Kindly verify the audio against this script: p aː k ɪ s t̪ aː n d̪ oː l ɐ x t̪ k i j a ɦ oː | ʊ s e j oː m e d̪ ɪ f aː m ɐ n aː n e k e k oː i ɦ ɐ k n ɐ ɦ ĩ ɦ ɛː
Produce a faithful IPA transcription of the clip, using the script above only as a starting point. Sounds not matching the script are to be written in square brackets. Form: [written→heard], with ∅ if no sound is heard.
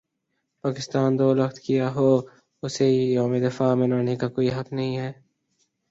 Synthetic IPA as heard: p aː k ɪ s t̪ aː n d̪ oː l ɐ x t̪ k i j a ɦ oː | ʊ s e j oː m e d̪ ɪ f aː m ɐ n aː n e k [e→a] k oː i ɦ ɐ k n ɐ ɦ ĩ ɦ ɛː